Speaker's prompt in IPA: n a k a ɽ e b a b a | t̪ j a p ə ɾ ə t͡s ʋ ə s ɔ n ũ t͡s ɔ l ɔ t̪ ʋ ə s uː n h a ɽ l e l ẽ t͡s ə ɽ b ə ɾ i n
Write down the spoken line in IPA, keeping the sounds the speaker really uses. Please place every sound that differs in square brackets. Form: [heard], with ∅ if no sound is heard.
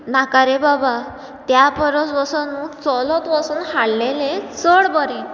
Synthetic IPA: n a k a [ɾ] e b a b a | t̪ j a p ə ɾ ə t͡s ʋ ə s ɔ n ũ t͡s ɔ l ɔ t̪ ʋ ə s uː n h a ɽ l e l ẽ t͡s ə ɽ b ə ɾ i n